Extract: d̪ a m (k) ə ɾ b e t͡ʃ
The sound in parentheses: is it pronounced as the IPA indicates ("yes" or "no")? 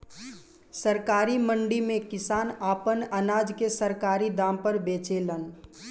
no